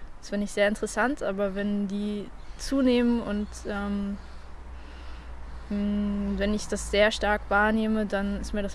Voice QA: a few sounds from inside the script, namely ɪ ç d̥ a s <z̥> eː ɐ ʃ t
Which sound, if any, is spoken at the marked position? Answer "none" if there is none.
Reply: z̥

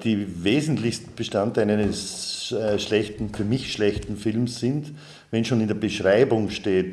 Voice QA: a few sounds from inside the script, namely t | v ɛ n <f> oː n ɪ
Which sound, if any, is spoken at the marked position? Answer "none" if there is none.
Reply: ʃ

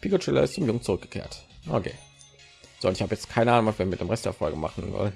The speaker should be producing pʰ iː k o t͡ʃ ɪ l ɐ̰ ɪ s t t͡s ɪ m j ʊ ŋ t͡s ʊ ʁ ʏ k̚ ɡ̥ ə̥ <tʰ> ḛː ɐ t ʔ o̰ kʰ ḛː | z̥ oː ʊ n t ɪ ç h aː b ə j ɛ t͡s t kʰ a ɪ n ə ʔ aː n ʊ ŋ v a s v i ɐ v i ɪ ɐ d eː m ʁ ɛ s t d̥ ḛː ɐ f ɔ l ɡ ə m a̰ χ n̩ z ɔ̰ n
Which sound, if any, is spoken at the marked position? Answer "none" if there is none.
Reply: kʰ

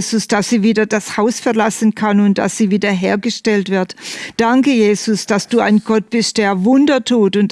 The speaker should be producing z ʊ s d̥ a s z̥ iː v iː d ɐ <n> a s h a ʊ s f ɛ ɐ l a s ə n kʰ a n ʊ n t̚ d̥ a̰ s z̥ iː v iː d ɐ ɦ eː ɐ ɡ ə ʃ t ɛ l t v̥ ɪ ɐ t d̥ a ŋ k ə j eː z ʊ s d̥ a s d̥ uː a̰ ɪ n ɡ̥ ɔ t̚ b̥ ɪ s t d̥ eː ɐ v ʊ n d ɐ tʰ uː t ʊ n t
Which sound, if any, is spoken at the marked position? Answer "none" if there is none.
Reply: d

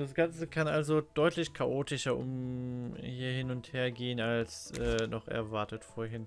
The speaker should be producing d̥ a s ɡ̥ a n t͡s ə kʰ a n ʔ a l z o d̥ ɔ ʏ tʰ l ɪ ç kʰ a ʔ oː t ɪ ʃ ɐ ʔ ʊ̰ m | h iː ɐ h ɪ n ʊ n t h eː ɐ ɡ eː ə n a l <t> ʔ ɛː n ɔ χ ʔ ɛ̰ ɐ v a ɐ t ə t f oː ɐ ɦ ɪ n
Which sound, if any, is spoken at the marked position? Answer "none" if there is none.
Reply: s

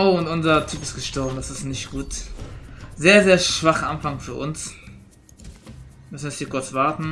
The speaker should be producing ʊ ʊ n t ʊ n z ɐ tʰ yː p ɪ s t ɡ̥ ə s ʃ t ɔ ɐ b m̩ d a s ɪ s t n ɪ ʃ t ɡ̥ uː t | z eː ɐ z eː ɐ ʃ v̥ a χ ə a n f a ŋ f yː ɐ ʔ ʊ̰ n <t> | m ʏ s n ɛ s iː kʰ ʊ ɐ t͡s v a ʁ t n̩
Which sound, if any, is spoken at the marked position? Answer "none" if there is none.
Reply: s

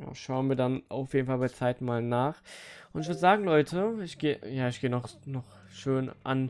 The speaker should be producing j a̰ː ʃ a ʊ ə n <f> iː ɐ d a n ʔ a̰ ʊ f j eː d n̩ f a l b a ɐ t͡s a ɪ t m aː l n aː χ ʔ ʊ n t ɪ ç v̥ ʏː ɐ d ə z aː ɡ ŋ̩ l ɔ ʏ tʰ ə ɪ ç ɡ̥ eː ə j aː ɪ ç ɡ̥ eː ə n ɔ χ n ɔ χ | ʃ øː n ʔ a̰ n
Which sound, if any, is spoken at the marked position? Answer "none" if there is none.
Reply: v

